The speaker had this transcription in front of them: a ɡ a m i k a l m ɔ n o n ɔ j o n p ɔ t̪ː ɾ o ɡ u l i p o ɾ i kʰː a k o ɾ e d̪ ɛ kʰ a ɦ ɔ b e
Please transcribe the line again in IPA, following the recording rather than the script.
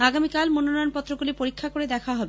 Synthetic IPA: a ɡ a m i k a l m o n o n ɔ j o n p ɔ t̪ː ɾ o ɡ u l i p o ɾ i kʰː a k o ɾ e d̪ ɛ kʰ a ɦ ɔ b e

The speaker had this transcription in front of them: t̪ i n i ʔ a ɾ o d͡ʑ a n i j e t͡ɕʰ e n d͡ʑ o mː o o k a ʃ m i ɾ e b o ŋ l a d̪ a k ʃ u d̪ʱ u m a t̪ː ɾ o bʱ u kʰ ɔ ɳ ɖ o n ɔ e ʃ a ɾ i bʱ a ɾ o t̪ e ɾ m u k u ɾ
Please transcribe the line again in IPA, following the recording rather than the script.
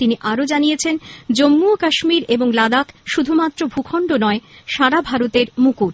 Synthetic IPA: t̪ i n i ʔ a ɾ o d͡ʑ a n i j e t͡ɕʰ e n d͡ʑ o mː u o k a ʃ m i ɾ e b o ŋ l a d̪ a k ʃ u d̪ʱ u m a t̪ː ɾ o bʱ u kʰ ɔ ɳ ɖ o n ɔ e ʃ a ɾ a bʱ a ɾ o t̪ e ɾ m u k u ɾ

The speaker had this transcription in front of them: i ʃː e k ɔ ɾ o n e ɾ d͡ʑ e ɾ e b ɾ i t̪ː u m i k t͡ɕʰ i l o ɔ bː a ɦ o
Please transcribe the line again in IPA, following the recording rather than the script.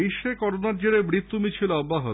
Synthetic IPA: i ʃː e k ɔ ɾ o n a ɾ d͡ʑ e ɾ e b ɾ i t̪ː u m i t͡ɕʰ i l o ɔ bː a ɦ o

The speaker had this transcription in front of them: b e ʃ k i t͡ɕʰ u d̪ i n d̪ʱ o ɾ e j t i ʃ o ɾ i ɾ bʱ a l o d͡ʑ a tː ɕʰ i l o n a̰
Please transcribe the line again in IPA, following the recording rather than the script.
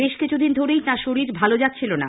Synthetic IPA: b e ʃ k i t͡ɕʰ u d̪ i n d̪ʱ o ɾ e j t a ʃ o ɾ i ɾ bʱ a l o d͡ʑ a tː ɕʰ i l o n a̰

